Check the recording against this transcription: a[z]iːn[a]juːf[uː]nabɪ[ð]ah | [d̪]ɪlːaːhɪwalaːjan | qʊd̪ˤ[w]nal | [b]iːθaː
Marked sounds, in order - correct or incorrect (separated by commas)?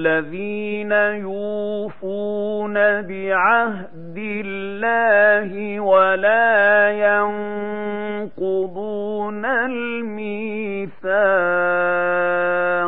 incorrect, correct, incorrect, incorrect, correct, incorrect, incorrect